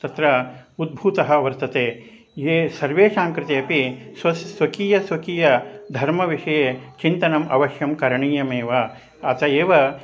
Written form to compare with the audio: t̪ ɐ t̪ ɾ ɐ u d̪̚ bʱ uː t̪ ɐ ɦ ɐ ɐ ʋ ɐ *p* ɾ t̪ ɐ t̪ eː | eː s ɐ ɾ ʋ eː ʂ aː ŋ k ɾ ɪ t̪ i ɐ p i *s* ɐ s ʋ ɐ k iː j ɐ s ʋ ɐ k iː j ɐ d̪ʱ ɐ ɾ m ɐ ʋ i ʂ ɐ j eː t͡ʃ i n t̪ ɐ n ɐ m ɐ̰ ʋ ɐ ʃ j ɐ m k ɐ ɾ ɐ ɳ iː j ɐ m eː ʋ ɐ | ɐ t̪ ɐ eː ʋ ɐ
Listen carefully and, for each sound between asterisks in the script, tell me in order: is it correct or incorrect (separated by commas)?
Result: incorrect, correct